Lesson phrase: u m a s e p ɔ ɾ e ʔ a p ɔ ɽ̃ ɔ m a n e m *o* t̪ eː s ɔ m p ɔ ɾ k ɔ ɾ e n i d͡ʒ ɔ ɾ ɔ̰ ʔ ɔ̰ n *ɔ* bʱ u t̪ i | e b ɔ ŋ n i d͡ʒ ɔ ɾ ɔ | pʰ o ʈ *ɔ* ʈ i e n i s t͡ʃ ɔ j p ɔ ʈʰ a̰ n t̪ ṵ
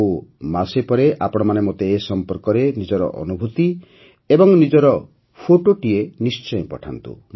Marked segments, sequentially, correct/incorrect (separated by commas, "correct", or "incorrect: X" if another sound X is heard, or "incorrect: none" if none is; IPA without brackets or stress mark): correct, incorrect: u, incorrect: o